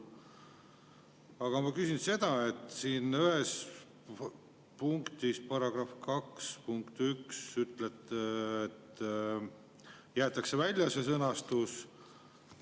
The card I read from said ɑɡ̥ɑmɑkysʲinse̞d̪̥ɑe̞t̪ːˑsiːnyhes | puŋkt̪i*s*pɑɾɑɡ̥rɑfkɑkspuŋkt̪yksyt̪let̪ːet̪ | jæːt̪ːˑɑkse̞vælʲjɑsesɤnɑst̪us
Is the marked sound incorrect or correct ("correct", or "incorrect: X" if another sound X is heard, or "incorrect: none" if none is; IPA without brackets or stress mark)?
correct